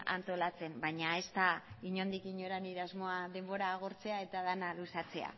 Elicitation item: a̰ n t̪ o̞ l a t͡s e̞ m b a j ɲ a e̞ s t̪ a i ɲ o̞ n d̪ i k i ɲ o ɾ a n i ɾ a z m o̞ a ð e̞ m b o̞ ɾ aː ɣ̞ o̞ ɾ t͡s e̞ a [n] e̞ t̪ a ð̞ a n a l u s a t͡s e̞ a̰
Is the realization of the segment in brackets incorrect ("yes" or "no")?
yes